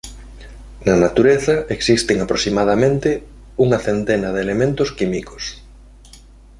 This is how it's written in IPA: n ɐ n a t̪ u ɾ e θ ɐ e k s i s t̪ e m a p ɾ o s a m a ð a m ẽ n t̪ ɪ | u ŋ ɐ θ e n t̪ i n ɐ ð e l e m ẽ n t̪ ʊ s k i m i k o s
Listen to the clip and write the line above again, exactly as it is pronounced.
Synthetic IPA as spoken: n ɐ n a t̪ u ɾ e θ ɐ e k s i s t̪ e ŋ a p ɾ o s i m a ð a m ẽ n t̪ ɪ | u ŋ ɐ θ e n t̪ e n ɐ ð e l e m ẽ n t̪ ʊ s k i m i k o s